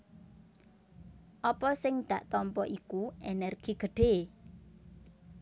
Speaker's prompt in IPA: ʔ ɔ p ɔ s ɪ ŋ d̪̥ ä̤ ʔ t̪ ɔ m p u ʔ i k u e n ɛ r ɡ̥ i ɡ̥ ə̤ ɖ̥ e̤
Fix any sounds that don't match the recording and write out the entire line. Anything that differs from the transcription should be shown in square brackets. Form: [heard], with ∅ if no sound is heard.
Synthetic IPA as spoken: ʔ ɔ p ɔ s ɪ ŋ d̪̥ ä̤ ʔ t̪ ɔ m p [ɔ] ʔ i k u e n ɛ r ɡ̥ i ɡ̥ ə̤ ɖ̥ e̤